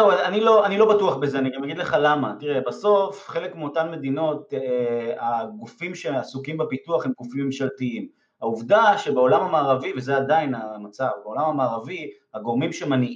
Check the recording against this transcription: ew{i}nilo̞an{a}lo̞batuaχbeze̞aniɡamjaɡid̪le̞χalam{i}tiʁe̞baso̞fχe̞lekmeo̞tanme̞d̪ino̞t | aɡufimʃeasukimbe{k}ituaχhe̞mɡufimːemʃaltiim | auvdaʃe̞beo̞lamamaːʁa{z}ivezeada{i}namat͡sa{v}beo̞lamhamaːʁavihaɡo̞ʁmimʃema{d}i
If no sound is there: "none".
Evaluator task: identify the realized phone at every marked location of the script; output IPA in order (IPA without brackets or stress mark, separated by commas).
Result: a, i, a, p, v, i, v, n